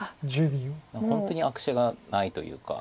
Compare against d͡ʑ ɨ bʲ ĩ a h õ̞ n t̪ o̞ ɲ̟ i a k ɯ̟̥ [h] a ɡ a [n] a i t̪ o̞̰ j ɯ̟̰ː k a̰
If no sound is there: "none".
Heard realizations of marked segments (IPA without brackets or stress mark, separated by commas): ɕ, n